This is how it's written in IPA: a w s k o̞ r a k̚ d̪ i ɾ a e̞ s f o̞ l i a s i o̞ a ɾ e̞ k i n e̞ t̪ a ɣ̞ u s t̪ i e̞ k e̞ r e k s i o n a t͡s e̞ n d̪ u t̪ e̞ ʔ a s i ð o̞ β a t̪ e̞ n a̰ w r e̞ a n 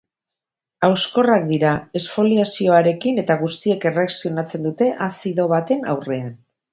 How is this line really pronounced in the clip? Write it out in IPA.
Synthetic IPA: a w s k o̞ r a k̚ d̪ i ɾ a e̞ s f o̞ l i a s i o̞ a ɾ e̞ k i n e̞ t̪ a ɣ̞ u s t̪ i e̞ k e̞ r e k s i o n a t͡s e̞ n d̪ u t̪ e̞ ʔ a s i ð o̞ β a t̪ e̞ n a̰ w r e̞ a n